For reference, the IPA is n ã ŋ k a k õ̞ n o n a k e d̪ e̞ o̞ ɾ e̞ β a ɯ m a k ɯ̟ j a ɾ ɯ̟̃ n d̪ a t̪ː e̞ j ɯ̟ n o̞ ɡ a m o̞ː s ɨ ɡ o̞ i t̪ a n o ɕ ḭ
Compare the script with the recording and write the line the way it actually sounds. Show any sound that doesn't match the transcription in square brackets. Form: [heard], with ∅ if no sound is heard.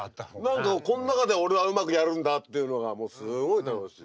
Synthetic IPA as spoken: n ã ŋ k a k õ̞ n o n a k [a] d̪ e̞ o̞ ɾ e̞ β a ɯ m a k ɯ̟ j a ɾ ɯ̟̃ n d̪ a t̪ː e̞ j ɯ̟ n o̞ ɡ a m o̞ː s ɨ ɡ o̞ i t̪ a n o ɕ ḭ